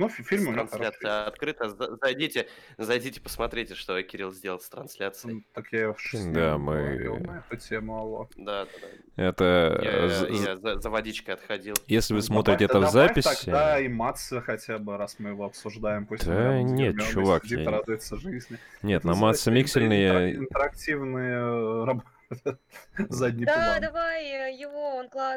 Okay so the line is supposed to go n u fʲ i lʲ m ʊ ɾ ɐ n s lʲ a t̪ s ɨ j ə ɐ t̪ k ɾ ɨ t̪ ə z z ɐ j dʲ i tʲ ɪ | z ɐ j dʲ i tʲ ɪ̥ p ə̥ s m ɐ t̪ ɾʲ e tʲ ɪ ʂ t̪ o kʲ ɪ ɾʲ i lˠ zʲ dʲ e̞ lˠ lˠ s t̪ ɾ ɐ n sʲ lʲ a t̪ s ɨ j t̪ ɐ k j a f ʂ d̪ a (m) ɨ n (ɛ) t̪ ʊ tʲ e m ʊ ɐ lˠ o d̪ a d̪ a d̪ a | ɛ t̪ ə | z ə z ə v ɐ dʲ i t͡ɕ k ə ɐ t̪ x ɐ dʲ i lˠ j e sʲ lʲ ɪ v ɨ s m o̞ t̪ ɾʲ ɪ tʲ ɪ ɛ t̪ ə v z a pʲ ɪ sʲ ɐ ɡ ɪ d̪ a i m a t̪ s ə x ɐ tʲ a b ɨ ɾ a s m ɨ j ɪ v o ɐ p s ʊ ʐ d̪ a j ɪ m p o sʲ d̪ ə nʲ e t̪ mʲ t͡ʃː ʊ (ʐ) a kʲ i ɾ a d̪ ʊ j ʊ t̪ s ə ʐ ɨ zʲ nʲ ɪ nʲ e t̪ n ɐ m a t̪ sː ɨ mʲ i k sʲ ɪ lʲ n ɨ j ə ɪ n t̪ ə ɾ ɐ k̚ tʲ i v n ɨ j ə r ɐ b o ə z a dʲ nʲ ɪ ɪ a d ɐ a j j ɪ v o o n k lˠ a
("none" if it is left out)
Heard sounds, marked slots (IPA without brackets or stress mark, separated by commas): m, ɛ, v